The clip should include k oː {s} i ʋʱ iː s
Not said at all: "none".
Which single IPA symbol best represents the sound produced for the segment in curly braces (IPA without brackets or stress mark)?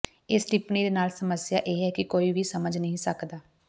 none